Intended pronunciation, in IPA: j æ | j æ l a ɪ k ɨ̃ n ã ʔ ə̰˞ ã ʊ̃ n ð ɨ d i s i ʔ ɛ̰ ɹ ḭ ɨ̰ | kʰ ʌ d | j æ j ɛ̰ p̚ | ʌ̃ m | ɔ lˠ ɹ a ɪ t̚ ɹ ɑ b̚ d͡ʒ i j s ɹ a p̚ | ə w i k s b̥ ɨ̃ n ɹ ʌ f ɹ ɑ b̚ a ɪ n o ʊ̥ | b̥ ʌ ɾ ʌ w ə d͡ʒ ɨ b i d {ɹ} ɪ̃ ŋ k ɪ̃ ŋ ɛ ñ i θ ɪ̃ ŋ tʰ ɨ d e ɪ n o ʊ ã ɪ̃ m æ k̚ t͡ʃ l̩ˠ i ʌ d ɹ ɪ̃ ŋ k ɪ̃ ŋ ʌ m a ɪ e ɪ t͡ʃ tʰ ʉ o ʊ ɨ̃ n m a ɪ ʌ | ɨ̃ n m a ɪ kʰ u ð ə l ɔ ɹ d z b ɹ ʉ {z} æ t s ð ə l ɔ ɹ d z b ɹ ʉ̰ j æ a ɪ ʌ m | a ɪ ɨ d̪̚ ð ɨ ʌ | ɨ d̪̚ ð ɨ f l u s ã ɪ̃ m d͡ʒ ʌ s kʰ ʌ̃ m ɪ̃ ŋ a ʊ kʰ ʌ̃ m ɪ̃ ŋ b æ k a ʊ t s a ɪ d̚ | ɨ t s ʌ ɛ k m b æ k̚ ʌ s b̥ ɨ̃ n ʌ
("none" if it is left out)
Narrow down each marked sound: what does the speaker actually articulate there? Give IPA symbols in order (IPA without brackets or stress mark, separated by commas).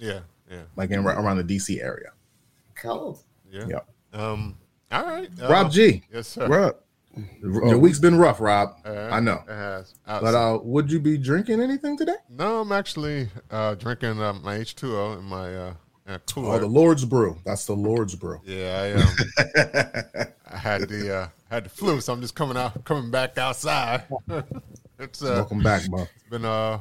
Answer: ɹ, ð